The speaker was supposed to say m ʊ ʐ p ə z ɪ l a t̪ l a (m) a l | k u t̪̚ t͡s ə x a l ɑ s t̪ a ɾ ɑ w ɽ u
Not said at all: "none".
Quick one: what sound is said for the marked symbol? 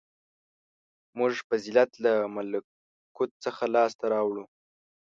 m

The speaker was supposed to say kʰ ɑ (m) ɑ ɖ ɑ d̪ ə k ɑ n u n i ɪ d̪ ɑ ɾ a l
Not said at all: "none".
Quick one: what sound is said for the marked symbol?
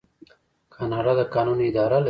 n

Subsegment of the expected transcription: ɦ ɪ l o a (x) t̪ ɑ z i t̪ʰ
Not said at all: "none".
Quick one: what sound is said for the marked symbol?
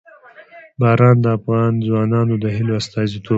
s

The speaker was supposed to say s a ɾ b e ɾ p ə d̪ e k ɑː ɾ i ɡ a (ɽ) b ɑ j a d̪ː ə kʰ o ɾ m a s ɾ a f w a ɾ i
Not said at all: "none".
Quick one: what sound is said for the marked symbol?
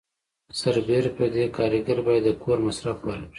ɾ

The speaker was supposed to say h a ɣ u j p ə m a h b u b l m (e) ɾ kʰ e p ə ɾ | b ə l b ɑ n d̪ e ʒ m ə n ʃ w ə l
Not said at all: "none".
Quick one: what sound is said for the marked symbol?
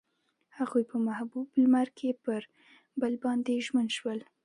a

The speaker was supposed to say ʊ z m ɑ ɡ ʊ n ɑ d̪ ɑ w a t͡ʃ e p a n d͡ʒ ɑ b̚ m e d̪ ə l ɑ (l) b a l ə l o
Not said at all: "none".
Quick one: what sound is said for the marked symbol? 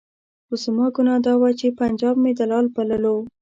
l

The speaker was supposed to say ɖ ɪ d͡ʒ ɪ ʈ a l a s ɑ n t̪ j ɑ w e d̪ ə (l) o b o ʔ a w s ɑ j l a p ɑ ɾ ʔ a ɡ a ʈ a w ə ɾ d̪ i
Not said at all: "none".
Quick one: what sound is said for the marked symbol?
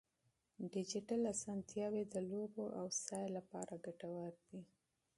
l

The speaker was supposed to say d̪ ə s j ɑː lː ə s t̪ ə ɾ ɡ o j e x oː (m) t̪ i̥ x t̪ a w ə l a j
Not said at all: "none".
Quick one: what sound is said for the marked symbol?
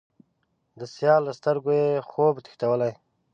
b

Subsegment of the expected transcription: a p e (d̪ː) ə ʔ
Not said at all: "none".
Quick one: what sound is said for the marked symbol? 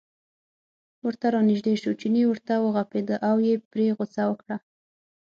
d̪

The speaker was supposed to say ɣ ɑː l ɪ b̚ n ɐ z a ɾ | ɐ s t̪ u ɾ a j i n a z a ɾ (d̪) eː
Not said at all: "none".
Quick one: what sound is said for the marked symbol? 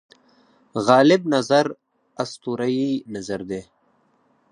d̪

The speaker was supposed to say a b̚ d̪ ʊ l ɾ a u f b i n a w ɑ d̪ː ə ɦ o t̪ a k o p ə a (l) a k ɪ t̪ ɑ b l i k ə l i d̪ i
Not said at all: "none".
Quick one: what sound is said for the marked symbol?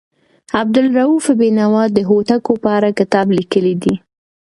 ɾ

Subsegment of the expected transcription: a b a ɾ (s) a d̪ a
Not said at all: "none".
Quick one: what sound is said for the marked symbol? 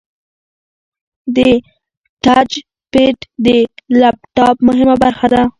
x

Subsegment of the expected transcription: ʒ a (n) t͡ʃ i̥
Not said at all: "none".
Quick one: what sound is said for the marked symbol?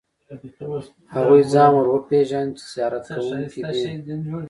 n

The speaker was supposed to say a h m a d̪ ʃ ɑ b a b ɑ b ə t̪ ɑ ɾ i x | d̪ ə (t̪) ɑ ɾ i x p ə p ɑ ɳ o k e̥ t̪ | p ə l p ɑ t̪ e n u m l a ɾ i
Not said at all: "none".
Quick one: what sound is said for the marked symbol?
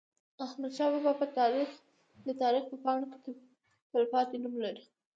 t̪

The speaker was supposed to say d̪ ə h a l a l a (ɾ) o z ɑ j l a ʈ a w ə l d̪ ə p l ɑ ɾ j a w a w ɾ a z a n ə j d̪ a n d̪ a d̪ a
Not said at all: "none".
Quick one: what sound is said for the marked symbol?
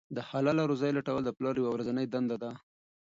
ɾ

